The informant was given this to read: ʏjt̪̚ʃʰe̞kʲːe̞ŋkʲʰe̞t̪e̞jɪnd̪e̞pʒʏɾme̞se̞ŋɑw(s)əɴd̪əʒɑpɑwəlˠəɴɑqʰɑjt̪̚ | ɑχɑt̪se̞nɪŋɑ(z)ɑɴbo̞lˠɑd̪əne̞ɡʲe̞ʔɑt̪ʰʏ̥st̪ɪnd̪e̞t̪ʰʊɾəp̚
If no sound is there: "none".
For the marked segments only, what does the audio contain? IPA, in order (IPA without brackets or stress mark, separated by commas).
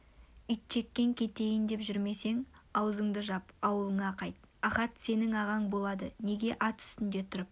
z, ʁ